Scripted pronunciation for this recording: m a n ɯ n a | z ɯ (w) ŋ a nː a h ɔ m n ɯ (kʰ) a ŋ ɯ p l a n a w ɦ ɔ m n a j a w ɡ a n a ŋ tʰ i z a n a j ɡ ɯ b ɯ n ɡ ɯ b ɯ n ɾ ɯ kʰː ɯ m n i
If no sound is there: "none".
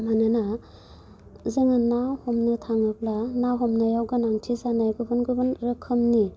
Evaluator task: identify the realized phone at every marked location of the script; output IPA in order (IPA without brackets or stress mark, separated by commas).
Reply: none, tʰ